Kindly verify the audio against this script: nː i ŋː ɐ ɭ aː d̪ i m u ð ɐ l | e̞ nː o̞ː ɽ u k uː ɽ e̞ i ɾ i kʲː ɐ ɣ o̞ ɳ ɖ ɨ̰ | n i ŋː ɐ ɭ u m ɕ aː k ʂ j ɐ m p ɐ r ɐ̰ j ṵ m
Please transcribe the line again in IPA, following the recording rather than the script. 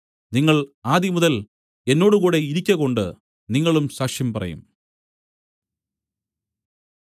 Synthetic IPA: n i ŋː ɐ ɭ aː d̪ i m u ð ɐ l | e̞ nː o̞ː ɽ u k uː ɽ e̞ i ɾ i kʲː ɐ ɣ o̞ ɳ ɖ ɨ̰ | n i ŋː ɐ ɭ u m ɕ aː k ʂ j ɐ m p ɐ r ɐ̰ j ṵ m

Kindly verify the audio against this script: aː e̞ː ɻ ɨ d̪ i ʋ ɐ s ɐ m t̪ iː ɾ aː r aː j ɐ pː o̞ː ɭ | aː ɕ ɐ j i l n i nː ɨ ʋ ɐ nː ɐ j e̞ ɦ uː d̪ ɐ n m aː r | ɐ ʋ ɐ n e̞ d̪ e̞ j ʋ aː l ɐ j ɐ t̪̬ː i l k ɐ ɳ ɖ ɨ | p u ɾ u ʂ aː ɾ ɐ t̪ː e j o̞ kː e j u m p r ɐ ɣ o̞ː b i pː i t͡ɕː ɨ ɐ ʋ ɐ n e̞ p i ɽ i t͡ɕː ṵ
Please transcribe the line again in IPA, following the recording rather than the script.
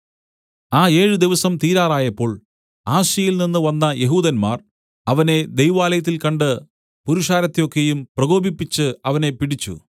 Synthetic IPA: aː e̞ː ɻ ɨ d̪ i ʋ ɐ s ɐ m t̪ iː ɾ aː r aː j ɐ pː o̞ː ɭ | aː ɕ ɐ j i l n i nː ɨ ʋ ɐ nː ɐ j e̞ ɦ uː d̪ ɐ n m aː r | ɐ ʋ ɐ n e̞ d̪ e̞ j ʋ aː l ɐ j ɐ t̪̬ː i l k ɐ ɳ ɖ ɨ | p u ɾ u ʂ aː ɾ ɐ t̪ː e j o̞ kː e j u m p r ɐ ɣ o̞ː b i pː i t͡ɕː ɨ ɐ ʋ ɐ n e̞ p i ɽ i t͡ɕː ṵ

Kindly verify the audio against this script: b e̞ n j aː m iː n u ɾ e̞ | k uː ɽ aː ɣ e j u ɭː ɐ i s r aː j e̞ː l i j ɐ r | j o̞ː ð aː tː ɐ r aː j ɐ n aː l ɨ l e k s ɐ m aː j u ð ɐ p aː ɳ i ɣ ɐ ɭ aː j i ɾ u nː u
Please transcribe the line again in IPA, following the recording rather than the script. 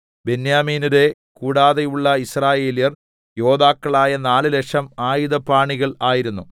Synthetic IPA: b e̞ n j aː m iː n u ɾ e̞ | k uː ɽ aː ð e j u ɭː ɐ i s r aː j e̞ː l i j ɐ r | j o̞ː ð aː kː ɐ ɭ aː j ɐ n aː l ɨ l e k ʂ ɐ m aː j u ð ɐ p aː ɳ i ɣ ɐ ɭ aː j i ɾ u nː u

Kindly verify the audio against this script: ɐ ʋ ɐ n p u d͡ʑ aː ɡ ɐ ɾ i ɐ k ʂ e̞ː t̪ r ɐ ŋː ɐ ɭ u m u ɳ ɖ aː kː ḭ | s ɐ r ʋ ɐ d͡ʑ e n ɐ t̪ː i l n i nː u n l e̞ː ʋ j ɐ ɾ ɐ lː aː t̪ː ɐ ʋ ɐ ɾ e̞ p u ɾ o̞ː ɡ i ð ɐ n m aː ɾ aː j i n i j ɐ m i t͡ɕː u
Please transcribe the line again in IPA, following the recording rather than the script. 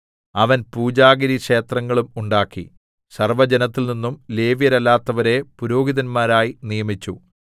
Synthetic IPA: ɐ ʋ ɐ n p uː d͡ʑ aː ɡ ɐ ɾ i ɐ k ʂ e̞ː t̪ r ɐ ŋː ɐ ɭ u m u ɳ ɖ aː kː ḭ | s ɐ r ʋ ɐ d͡ʑ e n ɐ t̪ː i l n i nː u m l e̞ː ʋ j ɐ ɾ ɐ lː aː t̪ː ɐ ʋ ɐ ɾ e̞ p u ɾ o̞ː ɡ i ð ɐ n m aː ɾ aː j i n i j ɐ m i t͡ɕː u

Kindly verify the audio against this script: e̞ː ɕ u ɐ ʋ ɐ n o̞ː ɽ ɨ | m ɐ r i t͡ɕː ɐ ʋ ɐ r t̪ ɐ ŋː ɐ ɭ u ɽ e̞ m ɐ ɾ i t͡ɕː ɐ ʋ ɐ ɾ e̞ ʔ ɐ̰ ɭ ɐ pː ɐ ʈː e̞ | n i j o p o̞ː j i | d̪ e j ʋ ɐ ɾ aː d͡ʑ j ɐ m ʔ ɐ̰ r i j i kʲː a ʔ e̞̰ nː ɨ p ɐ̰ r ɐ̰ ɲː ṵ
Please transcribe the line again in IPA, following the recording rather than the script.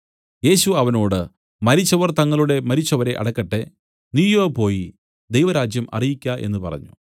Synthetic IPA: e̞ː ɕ u ɐ ʋ ɐ n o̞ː ɽ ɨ | m ɐ ɾ i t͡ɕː ɐ ʋ ɐ r t̪ ɐ ŋː ɐ ɭ u ɽ e̞ m ɐ ɾ i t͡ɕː ɐ ʋ ɐ ɾ e̞ ʔ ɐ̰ ɽ ɐ kː ɐ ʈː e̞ | n i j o p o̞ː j i | d̪ e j ʋ ɐ ɾ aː d͡ʑ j ɐ m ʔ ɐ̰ r i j i kʲː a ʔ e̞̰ nː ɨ p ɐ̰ r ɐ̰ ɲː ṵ

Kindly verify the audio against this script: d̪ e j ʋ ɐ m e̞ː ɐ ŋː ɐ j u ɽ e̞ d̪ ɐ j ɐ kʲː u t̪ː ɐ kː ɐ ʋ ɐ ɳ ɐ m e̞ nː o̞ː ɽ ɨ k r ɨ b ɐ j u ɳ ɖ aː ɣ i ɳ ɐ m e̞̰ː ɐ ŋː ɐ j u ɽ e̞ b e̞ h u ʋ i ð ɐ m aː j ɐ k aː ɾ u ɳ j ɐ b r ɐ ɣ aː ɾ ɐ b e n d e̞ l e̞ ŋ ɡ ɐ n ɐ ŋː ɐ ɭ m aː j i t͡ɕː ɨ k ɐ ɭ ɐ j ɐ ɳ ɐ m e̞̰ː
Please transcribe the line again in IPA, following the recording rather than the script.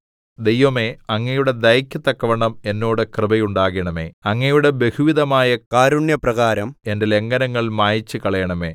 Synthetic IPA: d̪ e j ʋ ɐ m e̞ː ɐ ŋː ɐ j u ɽ e̞ d̪ ɐ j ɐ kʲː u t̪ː ɐ kː ɐ ʋ ɐ ɳ ɐ m e̞ nː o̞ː ɽ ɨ k r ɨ b ɐ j u ɳ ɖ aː ɣ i ɳ ɐ m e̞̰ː ɐ ŋː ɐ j u ɽ e̞ b e̞ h u ʋ i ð ɐ m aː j ɐ k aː ɾ u ɳ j ɐ p r ɐ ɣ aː ɾ ɐ m e n d e̞ l e̞ ŋ ɡ ɐ n ɐ ŋː ɐ ɭ m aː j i t͡ɕː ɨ k ɐ ɭ ɐ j ɐ ɳ ɐ m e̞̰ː

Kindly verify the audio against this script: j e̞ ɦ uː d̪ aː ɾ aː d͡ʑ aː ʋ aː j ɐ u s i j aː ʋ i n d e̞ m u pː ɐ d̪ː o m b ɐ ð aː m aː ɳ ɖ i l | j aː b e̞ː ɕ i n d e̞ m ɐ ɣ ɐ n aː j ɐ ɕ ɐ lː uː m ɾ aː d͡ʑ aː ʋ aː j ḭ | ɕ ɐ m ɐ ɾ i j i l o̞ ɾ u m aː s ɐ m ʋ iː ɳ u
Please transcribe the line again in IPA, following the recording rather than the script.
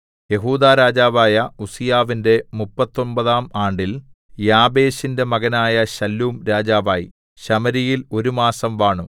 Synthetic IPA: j e̞ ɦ uː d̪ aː ɾ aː d͡ʑ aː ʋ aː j ɐ u s i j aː ʋ i n d e̞ m u pː ɐ t̪ː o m b ɐ ð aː m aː ɳ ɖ i l | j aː b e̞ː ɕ i n d e̞ m ɐ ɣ ɐ n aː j ɐ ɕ ɐ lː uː m ɾ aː d͡ʑ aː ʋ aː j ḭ | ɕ ɐ m ɐ ɾ i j i l o̞ ɾ u m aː s ɐ m ʋ aː ɳ u

